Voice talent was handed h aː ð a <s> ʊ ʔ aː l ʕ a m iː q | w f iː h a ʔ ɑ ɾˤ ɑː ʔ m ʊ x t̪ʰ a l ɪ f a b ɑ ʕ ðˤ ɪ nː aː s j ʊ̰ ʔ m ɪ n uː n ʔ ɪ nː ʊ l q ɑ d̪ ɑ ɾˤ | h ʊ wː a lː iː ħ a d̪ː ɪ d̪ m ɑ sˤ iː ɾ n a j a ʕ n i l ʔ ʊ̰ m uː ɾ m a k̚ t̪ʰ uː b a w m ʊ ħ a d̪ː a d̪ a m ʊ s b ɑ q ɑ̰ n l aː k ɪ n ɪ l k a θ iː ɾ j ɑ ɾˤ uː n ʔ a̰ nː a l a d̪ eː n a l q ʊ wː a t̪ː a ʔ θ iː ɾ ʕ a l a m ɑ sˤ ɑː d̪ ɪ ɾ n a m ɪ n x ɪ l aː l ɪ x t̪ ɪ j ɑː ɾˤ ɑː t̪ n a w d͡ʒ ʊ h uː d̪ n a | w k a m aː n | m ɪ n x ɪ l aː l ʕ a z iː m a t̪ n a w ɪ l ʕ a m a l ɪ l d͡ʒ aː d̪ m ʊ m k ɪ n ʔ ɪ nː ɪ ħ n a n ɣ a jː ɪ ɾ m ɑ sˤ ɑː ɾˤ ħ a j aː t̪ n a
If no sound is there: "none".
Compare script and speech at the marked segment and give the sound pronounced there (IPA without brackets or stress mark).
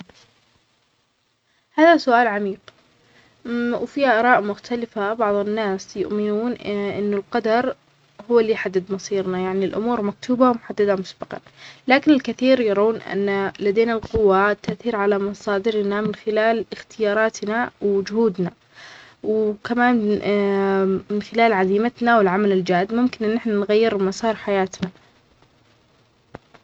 s